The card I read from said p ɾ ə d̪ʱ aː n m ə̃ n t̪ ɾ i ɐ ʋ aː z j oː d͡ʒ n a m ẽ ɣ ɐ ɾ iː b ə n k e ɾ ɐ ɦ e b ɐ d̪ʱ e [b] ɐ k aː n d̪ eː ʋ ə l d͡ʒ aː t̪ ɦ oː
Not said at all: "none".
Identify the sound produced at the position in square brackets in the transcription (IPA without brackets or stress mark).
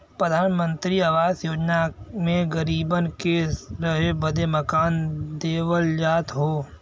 m